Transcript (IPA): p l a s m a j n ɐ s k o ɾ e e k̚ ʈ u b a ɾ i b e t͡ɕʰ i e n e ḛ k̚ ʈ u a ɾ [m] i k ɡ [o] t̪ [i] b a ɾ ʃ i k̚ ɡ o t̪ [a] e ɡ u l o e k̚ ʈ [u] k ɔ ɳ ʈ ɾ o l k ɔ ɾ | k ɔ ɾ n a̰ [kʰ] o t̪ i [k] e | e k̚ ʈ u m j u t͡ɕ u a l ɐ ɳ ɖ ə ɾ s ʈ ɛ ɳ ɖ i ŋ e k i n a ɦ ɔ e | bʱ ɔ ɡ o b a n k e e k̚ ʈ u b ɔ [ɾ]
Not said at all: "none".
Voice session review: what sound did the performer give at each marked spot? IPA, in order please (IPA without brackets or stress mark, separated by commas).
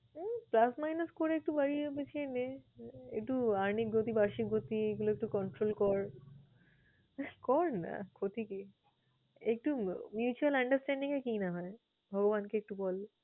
n, o, i, i, u, kʰ, k, l